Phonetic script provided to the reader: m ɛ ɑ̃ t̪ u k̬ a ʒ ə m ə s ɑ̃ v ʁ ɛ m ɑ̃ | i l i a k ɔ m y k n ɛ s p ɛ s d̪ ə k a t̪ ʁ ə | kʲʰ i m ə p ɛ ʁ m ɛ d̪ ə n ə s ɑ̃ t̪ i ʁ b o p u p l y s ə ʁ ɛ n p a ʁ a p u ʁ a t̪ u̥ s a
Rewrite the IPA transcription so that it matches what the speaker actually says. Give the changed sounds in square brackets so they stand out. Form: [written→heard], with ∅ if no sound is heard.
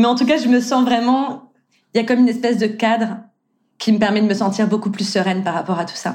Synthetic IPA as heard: m ɛ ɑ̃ t̪ u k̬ a ʒ ə m ə s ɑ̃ v ʁ ɛ m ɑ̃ | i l [i→j] a k ɔ m y [k→∅] n ɛ s p ɛ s d̪ ə k a [t̪→d̪] ʁ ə | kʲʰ i m ə p ɛ ʁ m ɛ d̪ ə [n→m] ə s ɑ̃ t̪ i ʁ b o [p→k] u p l y s ə ʁ ɛ n p a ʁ a p [u→ɔ] ʁ a t̪ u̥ s a